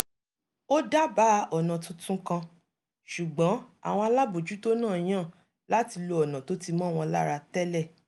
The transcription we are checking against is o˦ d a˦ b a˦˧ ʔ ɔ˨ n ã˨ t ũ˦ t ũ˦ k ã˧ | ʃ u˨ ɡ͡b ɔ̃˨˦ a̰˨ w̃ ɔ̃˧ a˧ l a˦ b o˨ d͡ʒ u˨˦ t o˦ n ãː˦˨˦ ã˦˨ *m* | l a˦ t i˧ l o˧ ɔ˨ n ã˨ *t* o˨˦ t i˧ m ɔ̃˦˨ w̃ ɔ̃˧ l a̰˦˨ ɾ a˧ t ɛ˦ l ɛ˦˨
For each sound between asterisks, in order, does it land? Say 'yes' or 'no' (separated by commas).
no, yes